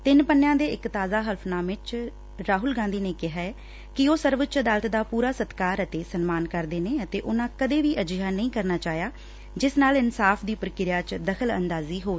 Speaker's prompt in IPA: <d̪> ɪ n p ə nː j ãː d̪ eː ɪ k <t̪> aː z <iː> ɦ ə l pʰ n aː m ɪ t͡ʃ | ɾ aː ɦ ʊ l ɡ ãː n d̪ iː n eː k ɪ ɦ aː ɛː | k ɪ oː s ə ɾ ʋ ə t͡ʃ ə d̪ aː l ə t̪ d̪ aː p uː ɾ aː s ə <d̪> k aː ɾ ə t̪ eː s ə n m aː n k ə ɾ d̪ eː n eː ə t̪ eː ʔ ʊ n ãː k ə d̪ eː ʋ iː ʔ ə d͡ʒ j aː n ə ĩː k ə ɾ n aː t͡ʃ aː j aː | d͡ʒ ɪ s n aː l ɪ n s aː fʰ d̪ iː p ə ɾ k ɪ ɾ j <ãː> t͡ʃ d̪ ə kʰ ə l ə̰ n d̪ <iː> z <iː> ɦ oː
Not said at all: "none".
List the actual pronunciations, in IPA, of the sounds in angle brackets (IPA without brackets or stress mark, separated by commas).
t̪, t̪, aː, t̪, aː, aː, iː